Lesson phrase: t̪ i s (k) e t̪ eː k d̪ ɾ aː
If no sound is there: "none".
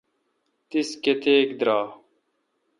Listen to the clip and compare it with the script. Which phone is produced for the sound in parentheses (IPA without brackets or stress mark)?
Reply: k